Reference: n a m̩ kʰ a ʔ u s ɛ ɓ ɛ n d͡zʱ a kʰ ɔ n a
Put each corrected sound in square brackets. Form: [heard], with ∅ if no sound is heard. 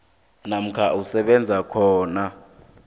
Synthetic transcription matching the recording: n a m̩ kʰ a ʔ u s ɛ ɓ ɛ n d͡zʱ a kʰ [ɔː] n a